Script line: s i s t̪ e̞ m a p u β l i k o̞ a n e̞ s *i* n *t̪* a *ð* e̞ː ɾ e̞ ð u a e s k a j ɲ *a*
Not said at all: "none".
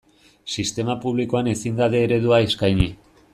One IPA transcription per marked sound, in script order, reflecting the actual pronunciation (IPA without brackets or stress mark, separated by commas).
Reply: i, d̪, ð, i